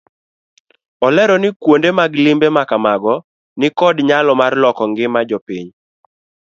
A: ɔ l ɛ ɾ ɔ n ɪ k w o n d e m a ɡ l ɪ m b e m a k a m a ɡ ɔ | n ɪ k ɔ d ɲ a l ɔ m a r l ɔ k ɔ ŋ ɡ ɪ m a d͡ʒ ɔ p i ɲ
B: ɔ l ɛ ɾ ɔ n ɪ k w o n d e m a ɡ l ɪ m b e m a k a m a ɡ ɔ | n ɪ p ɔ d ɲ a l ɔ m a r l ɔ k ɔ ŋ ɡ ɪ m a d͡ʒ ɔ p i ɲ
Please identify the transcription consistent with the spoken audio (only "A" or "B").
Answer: A